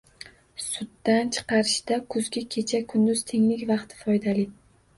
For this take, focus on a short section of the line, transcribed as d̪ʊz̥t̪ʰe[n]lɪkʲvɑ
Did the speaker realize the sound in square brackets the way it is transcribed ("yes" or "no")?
no